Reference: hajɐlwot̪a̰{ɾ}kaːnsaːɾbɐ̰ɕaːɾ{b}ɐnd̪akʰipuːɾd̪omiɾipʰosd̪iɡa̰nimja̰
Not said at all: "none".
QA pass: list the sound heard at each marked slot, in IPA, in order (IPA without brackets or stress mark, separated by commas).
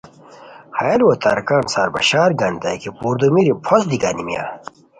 ɾ, ɡ